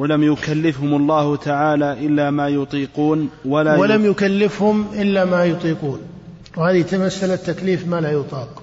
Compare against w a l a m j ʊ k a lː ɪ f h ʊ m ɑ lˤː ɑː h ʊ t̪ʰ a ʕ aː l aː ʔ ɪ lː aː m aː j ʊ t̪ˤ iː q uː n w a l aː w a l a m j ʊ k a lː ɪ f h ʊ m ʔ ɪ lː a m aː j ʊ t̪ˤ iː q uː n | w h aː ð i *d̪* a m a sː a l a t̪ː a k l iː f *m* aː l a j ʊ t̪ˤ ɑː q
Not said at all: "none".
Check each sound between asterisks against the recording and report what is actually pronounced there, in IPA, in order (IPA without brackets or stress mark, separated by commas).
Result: t̪, m